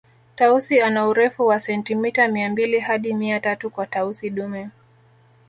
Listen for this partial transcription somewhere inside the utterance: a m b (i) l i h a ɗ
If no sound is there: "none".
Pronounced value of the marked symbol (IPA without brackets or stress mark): i